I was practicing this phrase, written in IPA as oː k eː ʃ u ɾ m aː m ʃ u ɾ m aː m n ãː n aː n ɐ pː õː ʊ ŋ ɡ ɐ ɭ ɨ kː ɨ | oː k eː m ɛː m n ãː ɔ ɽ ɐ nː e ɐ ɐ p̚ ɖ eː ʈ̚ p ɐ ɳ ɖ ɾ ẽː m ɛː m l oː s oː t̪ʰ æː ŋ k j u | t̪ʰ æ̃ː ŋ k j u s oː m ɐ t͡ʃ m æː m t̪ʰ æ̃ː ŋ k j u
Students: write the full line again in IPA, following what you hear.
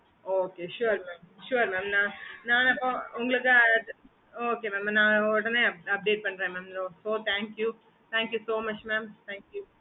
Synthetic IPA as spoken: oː k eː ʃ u ɾ m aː m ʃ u ɾ m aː m n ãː n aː n ɐ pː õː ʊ ŋ ɡ ɐ ɭ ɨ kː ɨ | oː k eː m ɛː m n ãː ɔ ɽ ɐ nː e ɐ ɐ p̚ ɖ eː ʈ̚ p ɐ ɳ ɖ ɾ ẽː m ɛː m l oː s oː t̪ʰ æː ŋ k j u | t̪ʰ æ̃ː ŋ k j u s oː m ɐ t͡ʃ m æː m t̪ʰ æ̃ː ŋ k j u